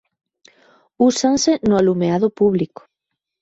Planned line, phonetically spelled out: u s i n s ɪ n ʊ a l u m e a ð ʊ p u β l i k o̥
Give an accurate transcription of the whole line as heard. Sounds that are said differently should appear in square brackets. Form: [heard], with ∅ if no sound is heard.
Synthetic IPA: u s [a] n s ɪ n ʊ a l u m e a ð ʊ p u β l i k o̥

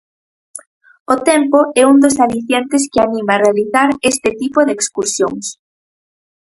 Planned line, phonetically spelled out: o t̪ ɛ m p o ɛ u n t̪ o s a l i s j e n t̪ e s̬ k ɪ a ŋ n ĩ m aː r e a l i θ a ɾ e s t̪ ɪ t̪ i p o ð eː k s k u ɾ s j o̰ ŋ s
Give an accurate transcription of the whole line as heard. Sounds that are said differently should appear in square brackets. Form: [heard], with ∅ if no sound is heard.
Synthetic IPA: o t̪ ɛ m p o ɛ u n [d̪] o s a l i [θ] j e n t̪ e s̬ k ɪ a [∅] n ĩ m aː r e a l i θ a ɾ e s t̪ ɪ t̪ i p o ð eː k s k u ɾ s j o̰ ŋ s

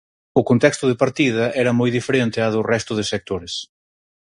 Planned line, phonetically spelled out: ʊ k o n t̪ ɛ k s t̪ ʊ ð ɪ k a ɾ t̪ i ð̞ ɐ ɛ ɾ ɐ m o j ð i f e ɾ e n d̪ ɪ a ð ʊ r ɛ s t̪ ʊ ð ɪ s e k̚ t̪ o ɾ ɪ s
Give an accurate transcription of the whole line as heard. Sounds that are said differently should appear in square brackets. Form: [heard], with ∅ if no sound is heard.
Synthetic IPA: ʊ k o n t̪ ɛ k s t̪ ʊ ð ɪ [p] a ɾ t̪ i ð̞ ɐ ɛ ɾ ɐ m o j ð i f e ɾ e n [t̪] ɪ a ð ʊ r ɛ s t̪ ʊ ð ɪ s e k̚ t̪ o ɾ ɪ s

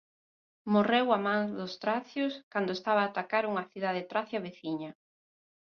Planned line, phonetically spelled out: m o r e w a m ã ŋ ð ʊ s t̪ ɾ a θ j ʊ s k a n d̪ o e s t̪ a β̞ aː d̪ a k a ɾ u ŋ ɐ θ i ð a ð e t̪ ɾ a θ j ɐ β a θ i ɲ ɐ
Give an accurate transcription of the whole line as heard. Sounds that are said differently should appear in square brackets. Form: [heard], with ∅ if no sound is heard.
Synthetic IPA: m o r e w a m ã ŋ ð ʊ s t̪ ɾ a θ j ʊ s k a n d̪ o e s t̪ a β̞ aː [t̪] a k a ɾ u ŋ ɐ θ i ð a ð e t̪ ɾ a θ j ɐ β [e] θ i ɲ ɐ

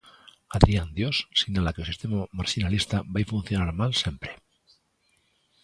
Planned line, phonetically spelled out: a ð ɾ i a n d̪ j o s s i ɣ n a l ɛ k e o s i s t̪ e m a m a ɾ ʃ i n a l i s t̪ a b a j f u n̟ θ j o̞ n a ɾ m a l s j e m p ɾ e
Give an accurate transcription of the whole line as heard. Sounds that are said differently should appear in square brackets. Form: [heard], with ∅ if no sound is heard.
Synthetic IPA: a ð ɾ i a n d̪ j o s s i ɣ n a l [a] k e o s i s t̪ e m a m a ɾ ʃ i n a l i s t̪ a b a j f u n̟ θ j o̞ n a ɾ m a l s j e m p ɾ e

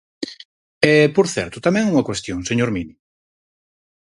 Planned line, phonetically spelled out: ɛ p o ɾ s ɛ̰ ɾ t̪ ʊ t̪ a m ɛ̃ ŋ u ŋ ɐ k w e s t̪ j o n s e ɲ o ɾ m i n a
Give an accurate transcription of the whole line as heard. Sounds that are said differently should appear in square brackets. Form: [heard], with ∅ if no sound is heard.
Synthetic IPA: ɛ p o ɾ [θ] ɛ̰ ɾ t̪ ʊ t̪ a m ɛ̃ ŋ u ŋ ɐ k w e s t̪ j o [ŋ] s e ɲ o ɾ m i n [i]

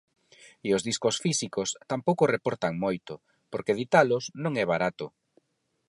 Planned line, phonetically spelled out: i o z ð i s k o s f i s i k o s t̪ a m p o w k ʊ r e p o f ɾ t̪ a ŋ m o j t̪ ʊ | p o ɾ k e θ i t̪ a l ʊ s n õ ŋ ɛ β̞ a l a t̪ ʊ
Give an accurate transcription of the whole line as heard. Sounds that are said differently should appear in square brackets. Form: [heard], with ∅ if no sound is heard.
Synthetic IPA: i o z ð i s k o s f i s i k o s t̪ a m p o w k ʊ r e p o [∅] ɾ t̪ a ŋ m o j t̪ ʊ | p o ɾ k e [ð] i t̪ a l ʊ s n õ ŋ ɛ β̞ a [ɾ] a t̪ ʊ

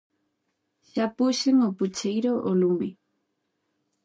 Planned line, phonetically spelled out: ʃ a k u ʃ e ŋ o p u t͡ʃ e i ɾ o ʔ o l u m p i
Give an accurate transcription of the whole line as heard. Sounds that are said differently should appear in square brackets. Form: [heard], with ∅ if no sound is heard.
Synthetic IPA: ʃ a [p] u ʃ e ŋ o p u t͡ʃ e [j] ɾ o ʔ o l u m [b] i

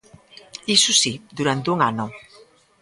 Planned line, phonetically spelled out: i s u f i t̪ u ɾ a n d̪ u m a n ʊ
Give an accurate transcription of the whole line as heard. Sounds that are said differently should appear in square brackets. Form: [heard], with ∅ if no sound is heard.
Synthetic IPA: i s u [s] i [d̪] u ɾ a n [t̪] u [ŋ] a n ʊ

